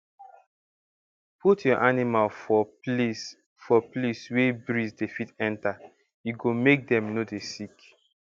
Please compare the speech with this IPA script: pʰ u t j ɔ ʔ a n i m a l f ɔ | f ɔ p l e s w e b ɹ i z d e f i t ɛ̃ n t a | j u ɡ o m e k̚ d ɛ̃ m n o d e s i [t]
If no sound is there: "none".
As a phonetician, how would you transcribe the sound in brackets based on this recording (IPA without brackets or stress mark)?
k